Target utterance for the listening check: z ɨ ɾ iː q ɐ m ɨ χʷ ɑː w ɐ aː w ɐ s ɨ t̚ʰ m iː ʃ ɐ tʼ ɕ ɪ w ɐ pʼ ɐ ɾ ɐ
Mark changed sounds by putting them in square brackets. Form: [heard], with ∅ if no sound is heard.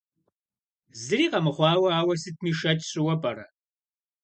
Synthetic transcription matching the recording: z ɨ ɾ iː q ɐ m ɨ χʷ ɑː w ɐ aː w ɐ s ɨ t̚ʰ m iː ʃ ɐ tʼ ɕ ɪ w ɐ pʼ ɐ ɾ ɐ